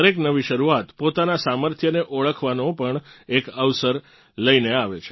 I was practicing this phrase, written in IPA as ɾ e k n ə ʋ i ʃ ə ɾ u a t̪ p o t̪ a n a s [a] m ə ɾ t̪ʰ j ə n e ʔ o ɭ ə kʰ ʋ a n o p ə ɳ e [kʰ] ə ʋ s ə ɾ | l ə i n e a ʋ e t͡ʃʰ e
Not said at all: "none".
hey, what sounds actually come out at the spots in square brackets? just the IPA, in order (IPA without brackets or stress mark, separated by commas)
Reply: a, k